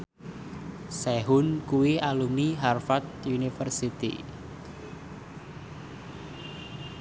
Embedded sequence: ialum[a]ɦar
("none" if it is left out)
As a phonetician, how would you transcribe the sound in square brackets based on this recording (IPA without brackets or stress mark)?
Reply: i